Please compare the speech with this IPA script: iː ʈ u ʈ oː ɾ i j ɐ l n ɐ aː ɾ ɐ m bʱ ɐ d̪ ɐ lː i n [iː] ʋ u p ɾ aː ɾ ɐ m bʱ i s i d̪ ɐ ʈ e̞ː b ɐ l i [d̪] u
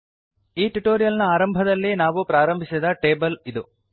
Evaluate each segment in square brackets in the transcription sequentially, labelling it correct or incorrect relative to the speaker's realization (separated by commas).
incorrect, correct